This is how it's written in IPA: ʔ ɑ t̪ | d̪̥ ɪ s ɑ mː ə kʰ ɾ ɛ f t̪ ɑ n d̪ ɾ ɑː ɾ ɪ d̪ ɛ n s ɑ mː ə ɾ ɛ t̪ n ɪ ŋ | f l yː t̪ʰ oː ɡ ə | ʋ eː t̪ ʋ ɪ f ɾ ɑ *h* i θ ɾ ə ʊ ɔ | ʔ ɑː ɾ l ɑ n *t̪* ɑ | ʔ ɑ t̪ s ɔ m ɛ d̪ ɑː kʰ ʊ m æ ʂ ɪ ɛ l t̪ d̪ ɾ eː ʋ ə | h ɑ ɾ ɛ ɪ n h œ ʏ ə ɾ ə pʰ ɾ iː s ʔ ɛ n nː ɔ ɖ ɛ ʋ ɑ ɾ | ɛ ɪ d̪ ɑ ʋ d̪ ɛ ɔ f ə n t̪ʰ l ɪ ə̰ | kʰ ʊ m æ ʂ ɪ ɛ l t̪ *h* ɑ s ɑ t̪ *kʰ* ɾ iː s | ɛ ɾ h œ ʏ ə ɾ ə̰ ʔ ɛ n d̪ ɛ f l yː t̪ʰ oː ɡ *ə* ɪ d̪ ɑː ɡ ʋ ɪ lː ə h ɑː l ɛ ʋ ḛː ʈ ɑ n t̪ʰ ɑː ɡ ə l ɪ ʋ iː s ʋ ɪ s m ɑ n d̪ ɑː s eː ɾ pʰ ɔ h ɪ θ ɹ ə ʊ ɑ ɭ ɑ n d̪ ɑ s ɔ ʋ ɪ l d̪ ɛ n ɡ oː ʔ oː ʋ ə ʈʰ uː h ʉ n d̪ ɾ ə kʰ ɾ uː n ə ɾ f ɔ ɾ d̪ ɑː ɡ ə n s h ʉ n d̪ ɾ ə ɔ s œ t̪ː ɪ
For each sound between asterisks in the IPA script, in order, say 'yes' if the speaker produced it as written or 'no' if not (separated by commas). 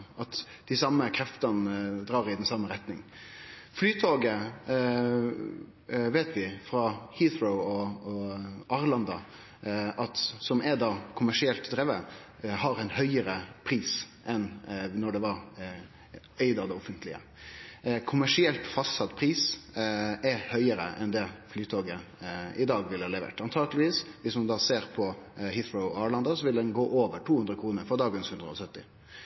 yes, no, no, no, yes